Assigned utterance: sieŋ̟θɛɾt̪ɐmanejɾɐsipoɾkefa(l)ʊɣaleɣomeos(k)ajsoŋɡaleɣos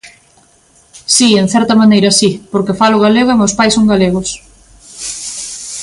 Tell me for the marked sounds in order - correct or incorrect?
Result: correct, incorrect: p

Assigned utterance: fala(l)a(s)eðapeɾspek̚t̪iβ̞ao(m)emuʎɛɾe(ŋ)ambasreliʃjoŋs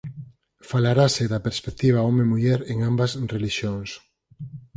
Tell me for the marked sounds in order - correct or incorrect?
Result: incorrect: ɾ, correct, correct, correct

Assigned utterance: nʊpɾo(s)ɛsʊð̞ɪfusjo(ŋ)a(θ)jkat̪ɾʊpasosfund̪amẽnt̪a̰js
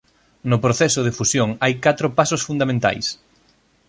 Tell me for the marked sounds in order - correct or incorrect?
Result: incorrect: θ, correct, incorrect: none

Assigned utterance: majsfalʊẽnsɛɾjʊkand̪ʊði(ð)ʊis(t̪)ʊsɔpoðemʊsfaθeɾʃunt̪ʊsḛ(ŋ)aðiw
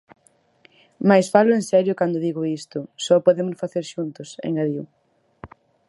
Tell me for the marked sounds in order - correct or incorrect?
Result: incorrect: ɣ, correct, correct

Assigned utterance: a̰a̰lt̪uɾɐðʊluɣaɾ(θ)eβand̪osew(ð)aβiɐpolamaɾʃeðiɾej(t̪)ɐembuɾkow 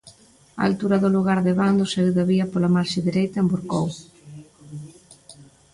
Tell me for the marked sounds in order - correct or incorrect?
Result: incorrect: ð, correct, correct

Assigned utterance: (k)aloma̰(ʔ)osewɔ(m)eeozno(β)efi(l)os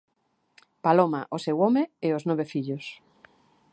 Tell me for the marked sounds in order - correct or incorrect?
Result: incorrect: p, correct, correct, correct, incorrect: ʎ

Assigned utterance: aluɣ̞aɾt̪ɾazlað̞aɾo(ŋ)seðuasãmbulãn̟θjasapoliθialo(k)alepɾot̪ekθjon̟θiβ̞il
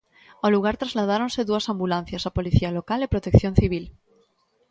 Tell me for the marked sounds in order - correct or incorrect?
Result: incorrect: n, correct

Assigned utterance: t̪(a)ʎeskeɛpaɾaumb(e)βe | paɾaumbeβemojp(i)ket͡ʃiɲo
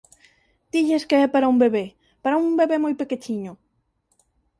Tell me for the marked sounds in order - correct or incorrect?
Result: incorrect: i, correct, incorrect: e

